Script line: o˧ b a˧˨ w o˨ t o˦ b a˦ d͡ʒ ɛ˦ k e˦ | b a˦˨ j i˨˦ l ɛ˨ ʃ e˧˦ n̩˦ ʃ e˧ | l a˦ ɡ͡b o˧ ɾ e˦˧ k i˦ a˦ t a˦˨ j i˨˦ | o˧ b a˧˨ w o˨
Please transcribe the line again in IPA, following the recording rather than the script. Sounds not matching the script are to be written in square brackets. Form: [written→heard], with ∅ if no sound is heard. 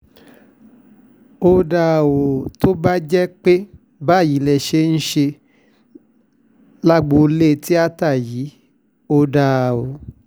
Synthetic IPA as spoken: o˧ [b→d] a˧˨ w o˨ t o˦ b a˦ d͡ʒ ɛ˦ [k→k͡p] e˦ | b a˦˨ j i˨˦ l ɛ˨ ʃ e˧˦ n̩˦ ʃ e˧ | l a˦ ɡ͡b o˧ [ɾ→l] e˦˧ [k→t] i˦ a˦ t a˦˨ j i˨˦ | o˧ [b→d] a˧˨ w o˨